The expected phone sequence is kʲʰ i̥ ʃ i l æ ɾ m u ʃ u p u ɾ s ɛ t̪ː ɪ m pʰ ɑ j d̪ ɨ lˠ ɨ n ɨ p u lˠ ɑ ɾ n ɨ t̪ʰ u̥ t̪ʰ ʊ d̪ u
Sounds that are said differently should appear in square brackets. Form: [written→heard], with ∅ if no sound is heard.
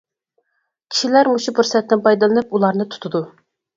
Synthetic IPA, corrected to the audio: kʲʰ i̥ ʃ i l æ ɾ m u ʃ u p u ɾ s ɛ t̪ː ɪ [m→n] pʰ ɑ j d̪ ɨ lˠ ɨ n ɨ p u lˠ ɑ ɾ n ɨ t̪ʰ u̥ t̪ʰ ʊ d̪ u